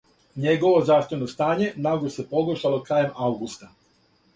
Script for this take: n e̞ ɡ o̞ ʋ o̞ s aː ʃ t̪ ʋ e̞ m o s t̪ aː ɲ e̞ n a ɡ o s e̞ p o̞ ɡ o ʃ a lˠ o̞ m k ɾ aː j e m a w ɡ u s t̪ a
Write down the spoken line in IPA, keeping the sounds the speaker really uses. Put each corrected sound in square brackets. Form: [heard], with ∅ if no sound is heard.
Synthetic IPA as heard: [ɲ] e̞ ɡ o̞ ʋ o̞ [z] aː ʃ t̪ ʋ e̞ [n] o s t̪ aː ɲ e̞ n a ɡ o s e̞ p o̞ ɡ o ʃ a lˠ o̞ [∅] k ɾ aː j e m a w ɡ u s t̪ a